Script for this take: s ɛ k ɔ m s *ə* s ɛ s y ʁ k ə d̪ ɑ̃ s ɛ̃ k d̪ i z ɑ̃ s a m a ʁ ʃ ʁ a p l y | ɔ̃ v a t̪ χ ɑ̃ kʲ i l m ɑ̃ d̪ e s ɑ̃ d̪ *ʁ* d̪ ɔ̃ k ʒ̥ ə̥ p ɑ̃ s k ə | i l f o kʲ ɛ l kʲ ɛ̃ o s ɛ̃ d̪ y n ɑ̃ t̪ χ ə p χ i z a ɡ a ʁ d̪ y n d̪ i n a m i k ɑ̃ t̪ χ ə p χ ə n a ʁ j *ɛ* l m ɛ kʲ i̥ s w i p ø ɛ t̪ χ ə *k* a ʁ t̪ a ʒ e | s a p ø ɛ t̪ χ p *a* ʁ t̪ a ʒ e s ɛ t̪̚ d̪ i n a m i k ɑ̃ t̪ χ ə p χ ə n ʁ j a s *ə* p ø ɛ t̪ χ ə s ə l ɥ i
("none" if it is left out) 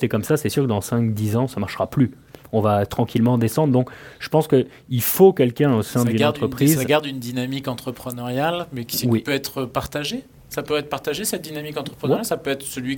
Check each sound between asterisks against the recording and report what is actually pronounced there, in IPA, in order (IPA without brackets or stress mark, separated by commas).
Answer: a, ʁ, a, p, a, a